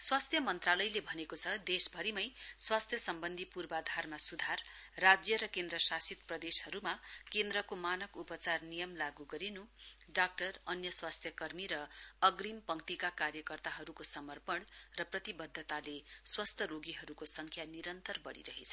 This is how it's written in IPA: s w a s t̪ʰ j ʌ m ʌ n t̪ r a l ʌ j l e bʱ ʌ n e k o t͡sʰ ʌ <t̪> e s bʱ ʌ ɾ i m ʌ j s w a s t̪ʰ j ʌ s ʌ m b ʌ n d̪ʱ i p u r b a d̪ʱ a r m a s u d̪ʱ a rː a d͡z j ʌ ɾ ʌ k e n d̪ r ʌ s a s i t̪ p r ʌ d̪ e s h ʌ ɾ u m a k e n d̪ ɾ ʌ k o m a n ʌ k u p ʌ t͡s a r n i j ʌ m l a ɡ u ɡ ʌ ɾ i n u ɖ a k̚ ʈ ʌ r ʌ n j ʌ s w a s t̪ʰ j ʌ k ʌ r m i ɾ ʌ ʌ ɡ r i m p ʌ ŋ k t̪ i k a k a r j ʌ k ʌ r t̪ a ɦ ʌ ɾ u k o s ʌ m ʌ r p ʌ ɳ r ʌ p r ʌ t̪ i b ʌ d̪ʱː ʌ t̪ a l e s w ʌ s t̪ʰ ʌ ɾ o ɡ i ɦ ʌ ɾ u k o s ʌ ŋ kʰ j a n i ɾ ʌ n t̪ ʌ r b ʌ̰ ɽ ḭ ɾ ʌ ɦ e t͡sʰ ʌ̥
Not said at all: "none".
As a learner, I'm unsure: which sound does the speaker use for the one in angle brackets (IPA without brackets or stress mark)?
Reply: d̪